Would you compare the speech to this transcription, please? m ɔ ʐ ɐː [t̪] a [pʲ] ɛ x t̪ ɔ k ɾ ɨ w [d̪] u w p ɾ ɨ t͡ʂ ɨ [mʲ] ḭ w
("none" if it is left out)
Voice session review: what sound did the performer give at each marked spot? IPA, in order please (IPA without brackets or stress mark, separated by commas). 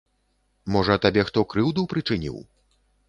t̪, bʲ, d̪, nʲ